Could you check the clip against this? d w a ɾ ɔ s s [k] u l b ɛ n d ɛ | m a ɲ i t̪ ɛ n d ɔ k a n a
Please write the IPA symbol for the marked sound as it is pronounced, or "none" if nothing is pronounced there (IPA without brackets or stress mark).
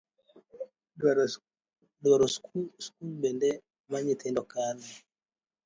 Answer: k